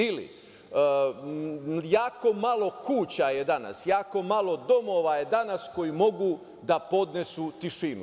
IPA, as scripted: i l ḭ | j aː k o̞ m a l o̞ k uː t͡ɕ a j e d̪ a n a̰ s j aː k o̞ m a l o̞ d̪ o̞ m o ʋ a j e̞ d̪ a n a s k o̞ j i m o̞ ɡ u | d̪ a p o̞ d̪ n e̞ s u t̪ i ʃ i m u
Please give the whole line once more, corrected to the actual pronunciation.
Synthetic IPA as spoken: i l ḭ | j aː k o̞ m a l o̞ k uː t͡ɕ a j e d̪ a n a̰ s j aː k o̞ m a l o̞ d̪ o̞ m o ʋ a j e̞ d̪ a n a s k o̞ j i m o̞ ɡ u | d̪ a p o̞ d̪ n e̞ s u t̪ i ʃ i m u